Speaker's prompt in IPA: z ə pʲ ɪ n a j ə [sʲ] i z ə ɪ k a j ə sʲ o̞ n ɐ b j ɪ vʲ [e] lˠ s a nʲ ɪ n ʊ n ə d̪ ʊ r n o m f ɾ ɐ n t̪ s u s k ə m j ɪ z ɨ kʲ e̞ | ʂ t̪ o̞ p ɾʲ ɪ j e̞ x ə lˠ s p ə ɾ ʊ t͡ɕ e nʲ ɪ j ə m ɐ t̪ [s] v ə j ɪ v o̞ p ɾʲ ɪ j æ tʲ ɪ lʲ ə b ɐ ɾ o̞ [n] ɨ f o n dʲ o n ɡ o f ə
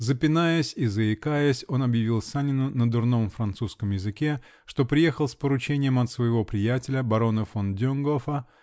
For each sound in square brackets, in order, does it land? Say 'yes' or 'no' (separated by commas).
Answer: yes, no, yes, yes